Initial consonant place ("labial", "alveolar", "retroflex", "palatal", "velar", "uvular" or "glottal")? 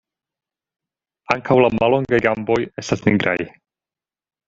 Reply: velar